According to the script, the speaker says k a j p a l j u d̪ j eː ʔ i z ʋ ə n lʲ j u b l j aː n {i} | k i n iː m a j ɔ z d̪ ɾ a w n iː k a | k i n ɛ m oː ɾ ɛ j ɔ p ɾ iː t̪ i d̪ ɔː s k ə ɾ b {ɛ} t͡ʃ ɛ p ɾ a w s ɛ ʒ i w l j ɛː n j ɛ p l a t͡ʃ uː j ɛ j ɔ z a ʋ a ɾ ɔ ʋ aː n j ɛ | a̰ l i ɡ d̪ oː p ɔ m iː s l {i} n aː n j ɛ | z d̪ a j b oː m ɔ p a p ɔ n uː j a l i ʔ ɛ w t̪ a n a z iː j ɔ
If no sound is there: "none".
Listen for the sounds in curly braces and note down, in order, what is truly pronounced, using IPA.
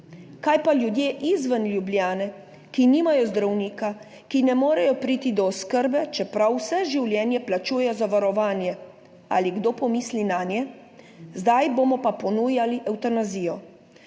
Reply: ɛ, ɛ, i

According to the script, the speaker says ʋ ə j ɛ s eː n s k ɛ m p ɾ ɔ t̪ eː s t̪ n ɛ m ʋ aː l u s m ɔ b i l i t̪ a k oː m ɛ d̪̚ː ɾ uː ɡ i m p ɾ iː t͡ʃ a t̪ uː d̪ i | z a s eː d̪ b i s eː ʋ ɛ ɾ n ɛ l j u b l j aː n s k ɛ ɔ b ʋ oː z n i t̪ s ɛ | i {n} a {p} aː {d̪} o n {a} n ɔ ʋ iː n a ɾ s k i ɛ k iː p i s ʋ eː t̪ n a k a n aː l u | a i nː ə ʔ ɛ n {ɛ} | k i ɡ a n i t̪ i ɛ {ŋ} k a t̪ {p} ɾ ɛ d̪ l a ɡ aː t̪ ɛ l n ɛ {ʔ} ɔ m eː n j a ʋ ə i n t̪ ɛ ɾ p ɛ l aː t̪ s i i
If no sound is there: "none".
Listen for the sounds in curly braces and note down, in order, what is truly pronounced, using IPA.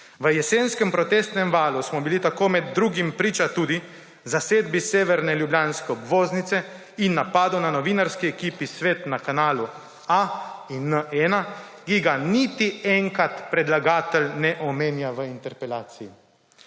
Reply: nː, p, d̪, a, a, ŋ, p, ʔ

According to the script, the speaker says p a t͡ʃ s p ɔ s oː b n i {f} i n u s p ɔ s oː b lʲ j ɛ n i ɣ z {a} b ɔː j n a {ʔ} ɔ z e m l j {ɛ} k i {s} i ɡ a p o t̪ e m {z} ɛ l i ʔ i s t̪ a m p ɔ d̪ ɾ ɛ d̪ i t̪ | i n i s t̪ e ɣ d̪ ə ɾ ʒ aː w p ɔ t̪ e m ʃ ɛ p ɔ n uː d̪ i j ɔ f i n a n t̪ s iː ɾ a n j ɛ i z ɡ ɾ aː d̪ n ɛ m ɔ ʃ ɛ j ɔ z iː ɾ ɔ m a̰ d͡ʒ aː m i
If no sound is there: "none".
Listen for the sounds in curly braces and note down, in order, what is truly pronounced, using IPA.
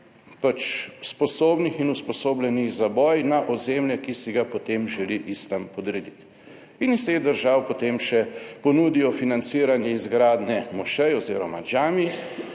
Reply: x, a, ʔ, ɛ, s, ʒ

